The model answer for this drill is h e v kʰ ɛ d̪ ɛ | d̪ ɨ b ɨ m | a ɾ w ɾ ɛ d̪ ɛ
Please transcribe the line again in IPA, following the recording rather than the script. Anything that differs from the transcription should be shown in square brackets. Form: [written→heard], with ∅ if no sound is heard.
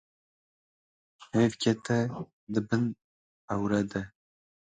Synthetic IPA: h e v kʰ ɛ [d̪→t̪] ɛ | d̪ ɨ b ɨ [m→n] | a [ɾ→∅] w ɾ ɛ d̪ ɛ